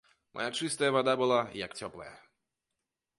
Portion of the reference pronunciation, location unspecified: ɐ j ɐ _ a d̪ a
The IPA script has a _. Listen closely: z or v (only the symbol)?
v